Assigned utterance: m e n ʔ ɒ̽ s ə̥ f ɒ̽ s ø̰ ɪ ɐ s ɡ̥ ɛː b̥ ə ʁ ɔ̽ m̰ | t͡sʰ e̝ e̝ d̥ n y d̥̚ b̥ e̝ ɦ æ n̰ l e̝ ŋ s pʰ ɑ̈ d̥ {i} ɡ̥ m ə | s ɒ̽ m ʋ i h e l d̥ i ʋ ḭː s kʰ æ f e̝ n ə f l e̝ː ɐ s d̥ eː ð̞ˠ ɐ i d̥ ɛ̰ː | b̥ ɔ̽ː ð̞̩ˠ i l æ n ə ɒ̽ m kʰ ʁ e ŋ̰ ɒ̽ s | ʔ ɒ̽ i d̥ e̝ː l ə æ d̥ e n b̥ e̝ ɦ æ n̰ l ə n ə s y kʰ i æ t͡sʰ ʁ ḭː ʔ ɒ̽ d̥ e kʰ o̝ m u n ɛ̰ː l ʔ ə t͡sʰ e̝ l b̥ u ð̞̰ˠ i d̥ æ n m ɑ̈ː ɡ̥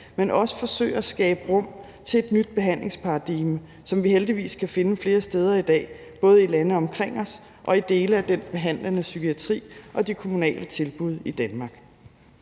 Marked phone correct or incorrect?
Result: correct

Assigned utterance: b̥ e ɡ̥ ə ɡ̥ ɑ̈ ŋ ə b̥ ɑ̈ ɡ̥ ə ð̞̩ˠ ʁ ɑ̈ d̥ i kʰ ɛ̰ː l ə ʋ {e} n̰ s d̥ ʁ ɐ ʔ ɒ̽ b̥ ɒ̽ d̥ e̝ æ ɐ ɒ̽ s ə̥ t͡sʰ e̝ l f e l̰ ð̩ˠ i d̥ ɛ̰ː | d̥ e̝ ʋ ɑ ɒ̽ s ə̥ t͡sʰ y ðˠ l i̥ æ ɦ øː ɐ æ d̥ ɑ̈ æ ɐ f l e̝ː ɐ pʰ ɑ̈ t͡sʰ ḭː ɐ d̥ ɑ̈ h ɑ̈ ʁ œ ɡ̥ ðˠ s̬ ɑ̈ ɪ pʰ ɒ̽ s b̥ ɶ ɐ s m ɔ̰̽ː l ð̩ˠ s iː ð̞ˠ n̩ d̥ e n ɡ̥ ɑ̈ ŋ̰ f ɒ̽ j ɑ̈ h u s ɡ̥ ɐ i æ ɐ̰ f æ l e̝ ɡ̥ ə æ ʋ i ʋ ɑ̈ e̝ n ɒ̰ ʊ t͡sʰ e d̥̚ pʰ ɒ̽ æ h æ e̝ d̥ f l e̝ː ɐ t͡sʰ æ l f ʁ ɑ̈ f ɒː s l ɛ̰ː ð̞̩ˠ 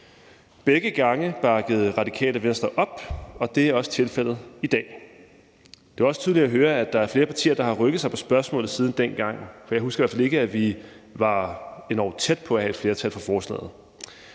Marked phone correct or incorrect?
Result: correct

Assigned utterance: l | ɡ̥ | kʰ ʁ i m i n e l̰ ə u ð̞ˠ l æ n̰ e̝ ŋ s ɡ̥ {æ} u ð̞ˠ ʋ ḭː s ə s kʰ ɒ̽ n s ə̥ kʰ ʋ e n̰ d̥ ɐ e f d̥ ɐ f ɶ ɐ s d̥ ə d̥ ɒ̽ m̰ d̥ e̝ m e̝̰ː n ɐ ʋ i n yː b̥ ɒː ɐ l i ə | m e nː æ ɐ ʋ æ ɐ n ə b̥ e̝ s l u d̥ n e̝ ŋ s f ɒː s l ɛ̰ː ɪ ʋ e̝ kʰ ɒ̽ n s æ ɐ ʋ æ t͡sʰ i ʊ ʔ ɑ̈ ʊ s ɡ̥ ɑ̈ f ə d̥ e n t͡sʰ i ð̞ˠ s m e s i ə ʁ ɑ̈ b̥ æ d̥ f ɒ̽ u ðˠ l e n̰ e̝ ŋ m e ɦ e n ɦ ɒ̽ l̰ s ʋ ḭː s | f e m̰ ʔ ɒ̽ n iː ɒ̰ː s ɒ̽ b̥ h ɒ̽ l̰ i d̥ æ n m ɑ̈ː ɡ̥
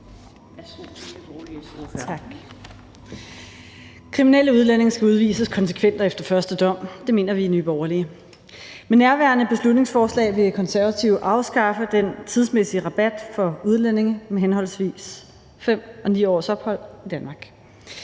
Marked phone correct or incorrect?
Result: correct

